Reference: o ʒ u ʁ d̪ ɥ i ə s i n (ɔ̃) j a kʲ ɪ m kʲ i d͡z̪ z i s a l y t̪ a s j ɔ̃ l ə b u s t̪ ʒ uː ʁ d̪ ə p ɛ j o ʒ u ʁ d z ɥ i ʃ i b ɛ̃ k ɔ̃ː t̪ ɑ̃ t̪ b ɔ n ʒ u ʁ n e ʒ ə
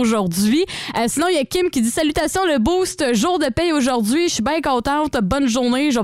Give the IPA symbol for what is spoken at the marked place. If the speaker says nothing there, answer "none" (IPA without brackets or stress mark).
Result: ɔ̃